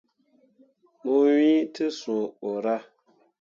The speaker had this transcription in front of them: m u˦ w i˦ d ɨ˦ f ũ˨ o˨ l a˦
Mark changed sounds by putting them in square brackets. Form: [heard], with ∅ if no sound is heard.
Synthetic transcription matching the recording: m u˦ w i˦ [t] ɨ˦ [s] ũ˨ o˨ [ɾ] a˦